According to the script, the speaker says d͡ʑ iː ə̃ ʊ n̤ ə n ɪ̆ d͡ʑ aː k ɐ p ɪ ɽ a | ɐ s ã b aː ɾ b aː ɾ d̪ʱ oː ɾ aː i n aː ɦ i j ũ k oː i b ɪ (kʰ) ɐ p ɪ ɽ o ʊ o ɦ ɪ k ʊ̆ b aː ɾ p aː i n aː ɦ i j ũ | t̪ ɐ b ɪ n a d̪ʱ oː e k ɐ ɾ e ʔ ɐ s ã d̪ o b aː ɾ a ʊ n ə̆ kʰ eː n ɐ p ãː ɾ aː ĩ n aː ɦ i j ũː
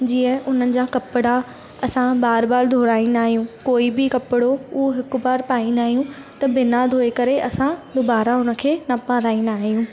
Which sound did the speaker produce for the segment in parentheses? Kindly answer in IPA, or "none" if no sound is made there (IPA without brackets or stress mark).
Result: k